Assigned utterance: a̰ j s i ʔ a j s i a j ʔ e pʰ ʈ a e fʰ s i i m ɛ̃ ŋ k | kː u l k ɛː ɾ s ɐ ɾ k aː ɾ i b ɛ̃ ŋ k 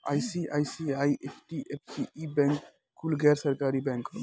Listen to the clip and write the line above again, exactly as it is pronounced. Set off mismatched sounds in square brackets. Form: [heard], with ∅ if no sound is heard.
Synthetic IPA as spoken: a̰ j s i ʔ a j s i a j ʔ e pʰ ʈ [i] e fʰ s i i [b] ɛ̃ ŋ k | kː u l [ɡ] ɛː ɾ s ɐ ɾ k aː ɾ i b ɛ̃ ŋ k